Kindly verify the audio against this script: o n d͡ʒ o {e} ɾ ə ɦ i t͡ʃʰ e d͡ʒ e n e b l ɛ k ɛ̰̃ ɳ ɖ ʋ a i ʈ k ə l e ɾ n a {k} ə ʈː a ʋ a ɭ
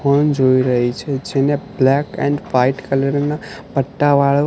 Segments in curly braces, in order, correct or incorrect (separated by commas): incorrect, incorrect